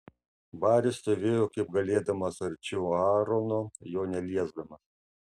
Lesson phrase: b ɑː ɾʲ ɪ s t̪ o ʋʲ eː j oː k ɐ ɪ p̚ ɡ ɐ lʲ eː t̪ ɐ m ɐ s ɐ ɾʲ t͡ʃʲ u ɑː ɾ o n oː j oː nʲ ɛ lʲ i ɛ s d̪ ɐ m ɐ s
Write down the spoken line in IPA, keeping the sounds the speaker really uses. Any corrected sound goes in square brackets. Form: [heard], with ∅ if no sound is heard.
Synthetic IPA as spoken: b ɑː ɾʲ ɪ s t̪ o ʋʲ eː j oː k ɐ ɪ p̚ ɡ ɐ lʲ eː [d̪] ɐ m ɐ s ɐ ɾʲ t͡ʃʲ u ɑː ɾ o n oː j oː nʲ ɛ lʲ i ɛ [z] d̪ ɐ m ɐ s